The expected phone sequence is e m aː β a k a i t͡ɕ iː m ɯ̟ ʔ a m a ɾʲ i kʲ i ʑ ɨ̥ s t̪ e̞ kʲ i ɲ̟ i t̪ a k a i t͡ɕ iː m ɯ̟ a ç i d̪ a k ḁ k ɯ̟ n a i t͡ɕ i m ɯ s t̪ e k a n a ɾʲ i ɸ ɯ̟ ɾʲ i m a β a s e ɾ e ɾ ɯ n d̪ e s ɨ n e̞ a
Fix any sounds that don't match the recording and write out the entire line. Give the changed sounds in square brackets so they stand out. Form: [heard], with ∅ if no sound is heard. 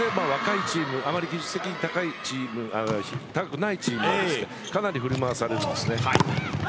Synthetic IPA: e m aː β a k a i t͡ɕ iː m ɯ̟ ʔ a m a ɾʲ i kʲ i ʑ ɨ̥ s t̪ e̞ kʲ i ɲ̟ i t̪ a k a i t͡ɕ iː m ɯ̟ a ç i [t̪] a k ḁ k ɯ̟ n a i t͡ɕ [iː] m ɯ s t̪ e k a n a ɾʲ i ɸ ɯ̟ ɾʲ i m a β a s [a] ɾ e ɾ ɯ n d̪ e s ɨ n e̞ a